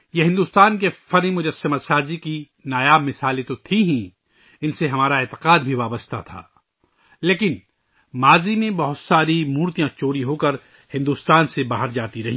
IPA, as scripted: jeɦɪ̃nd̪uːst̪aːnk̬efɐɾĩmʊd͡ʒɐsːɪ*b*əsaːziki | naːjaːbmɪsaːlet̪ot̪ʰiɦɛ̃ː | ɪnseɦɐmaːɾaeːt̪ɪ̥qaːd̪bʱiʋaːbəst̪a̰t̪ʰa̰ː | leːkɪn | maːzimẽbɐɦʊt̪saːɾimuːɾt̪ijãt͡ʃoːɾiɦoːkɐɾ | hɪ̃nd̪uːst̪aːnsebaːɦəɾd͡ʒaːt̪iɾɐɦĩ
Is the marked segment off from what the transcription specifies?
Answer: yes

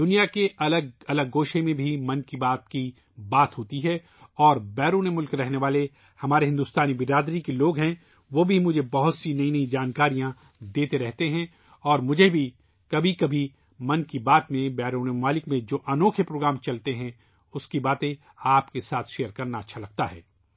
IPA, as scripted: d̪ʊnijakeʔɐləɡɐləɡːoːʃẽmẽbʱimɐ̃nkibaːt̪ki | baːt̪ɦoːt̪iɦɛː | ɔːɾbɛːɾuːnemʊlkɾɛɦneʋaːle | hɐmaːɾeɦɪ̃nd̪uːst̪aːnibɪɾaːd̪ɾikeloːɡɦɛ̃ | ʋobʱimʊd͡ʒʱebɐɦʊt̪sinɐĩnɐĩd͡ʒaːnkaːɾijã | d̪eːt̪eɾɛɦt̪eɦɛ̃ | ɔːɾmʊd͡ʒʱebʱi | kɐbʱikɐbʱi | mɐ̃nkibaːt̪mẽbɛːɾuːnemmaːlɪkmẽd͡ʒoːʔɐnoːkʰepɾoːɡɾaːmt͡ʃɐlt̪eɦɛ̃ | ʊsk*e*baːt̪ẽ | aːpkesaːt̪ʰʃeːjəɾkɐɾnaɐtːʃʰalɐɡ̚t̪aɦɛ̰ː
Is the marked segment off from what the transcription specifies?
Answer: yes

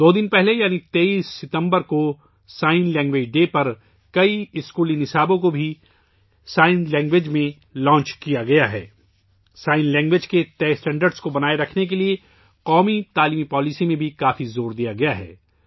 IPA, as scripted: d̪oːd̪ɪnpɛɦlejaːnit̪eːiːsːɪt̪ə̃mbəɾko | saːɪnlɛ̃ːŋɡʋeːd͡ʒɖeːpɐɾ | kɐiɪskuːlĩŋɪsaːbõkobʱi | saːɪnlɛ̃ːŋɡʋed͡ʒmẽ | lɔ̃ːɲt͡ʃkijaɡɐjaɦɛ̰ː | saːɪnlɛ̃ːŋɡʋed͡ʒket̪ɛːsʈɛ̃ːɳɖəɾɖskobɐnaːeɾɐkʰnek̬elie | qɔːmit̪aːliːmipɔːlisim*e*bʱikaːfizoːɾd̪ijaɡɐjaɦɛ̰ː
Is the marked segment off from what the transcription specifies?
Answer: yes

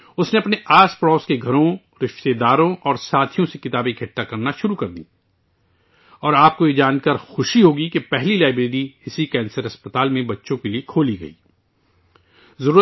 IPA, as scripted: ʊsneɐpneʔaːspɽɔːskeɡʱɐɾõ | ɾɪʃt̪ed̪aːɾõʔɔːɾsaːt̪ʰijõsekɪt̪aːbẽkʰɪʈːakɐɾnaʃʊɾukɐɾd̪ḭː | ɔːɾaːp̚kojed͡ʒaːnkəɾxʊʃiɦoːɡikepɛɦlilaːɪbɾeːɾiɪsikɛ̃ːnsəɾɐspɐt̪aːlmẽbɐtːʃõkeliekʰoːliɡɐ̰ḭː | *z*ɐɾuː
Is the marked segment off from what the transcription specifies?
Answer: no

